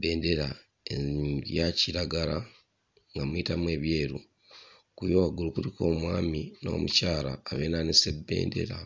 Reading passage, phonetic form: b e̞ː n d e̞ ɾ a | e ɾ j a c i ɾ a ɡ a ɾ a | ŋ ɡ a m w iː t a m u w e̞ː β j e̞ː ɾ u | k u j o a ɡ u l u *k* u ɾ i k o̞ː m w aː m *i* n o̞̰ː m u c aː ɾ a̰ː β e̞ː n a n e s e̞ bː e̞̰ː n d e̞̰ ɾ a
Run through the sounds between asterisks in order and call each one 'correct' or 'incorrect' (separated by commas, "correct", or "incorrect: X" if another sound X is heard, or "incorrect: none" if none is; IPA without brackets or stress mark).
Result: correct, correct